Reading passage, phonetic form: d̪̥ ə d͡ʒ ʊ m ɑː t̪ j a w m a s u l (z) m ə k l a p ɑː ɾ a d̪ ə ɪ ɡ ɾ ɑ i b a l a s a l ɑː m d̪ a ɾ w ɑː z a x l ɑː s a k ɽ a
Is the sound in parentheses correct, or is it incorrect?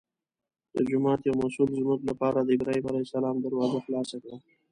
correct